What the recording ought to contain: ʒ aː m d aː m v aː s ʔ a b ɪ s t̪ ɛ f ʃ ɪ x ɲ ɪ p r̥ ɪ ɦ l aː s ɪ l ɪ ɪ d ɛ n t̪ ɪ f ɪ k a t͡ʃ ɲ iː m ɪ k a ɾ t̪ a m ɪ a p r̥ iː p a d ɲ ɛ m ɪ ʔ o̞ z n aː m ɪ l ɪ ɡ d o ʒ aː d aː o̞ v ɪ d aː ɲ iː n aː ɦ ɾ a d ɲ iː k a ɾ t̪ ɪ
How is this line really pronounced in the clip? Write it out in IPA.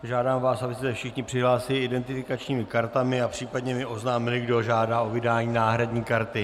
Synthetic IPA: ʒ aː d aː m v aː s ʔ a b ɪ s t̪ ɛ f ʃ ɪ x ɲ ɪ p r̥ ɪ ɦ l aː s ɪ l ɪ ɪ d ɛ n t̪ ɪ f ɪ k a t͡ʃ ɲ iː m ɪ k a ɾ t̪ a m ɪ a p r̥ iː p a d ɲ ɛ m ɪ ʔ o̞ z n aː m ɪ l ɪ ɡ d o ʒ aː d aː o̞ v ɪ d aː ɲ iː n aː ɦ ɾ a d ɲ iː k a ɾ t̪ ɪ